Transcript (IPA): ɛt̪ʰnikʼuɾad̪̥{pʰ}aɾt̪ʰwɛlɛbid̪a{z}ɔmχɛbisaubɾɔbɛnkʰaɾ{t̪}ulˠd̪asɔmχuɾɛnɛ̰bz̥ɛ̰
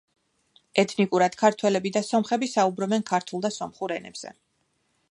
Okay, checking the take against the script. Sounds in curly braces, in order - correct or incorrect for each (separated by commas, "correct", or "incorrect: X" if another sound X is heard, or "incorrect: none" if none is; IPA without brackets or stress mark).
incorrect: kʰ, incorrect: s, incorrect: t̪ʰ